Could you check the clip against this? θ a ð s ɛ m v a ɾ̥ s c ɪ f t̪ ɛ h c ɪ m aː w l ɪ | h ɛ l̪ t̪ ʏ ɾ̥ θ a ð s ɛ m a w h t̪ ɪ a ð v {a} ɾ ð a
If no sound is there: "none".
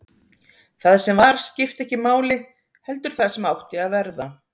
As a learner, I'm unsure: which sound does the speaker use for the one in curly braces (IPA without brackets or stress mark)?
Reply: ɛ